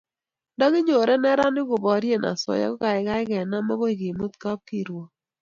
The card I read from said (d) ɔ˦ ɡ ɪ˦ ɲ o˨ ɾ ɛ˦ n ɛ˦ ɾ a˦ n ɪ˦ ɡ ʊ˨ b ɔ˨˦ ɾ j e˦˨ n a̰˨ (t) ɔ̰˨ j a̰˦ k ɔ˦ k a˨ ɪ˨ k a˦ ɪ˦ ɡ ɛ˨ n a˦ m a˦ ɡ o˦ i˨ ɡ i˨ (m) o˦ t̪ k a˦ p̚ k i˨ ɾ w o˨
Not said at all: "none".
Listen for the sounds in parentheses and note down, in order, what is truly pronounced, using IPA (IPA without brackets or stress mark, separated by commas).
d, s, m